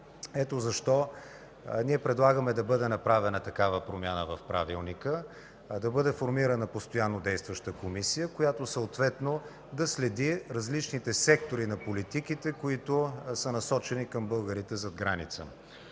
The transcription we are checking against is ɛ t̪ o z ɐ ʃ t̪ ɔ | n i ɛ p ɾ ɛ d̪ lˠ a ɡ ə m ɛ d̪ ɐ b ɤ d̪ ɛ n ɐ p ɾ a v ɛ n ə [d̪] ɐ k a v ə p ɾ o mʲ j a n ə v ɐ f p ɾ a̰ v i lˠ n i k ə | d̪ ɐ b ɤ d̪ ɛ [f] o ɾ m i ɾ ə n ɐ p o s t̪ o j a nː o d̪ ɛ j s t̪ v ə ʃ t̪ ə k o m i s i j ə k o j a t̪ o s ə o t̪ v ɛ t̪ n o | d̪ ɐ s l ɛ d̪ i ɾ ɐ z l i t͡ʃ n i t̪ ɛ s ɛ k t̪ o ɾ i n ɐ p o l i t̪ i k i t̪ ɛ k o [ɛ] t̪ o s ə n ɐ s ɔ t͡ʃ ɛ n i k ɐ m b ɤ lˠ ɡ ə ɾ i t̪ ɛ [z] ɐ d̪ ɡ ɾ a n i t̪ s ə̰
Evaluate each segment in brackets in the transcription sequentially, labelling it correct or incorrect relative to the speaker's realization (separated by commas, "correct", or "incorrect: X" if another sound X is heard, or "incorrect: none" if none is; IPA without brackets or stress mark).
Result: incorrect: t̪, correct, incorrect: i, correct